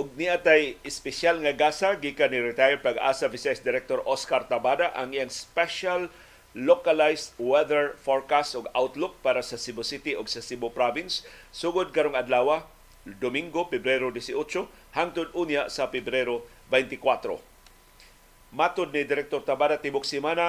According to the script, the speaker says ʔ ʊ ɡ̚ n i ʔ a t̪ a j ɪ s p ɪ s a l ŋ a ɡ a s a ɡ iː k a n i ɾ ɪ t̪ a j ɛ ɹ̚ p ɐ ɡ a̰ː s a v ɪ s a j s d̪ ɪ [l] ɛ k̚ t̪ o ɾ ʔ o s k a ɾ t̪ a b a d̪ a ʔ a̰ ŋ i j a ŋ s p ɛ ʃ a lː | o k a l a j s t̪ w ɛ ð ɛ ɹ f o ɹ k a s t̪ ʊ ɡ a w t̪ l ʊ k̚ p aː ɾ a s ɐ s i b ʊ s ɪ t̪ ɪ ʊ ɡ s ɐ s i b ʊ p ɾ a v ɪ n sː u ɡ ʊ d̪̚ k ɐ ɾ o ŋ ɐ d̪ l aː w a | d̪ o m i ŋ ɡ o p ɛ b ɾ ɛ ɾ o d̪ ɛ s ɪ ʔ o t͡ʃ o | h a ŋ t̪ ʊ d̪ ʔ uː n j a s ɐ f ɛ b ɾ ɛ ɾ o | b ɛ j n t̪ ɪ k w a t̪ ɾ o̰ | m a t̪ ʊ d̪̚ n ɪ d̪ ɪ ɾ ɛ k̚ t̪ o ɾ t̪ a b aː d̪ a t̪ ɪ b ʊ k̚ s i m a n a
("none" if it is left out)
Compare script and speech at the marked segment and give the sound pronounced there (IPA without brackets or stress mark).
ɾ